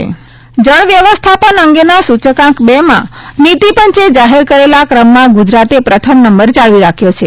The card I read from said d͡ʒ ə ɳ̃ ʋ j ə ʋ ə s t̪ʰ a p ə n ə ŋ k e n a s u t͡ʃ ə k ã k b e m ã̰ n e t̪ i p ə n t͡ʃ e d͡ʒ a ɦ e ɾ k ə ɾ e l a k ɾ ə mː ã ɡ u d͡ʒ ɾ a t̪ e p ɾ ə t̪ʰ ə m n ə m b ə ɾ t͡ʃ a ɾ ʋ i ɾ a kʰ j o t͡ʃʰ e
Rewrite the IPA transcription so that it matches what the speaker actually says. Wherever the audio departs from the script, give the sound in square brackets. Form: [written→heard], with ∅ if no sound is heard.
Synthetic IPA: d͡ʒ ə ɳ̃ ʋ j ə ʋ ə s t̪ʰ a p ə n ə ŋ [k→ɡ] e n a s u t͡ʃ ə k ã k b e m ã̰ n [e→i] t̪ i p ə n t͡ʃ e d͡ʒ a ɦ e ɾ k ə ɾ e l a k ɾ ə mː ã ɡ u d͡ʒ ɾ a t̪ e p ɾ ə t̪ʰ ə m n ə m b ə ɾ t͡ʃ a [ɾ→ɭ] ʋ i ɾ a kʰ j o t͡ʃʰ e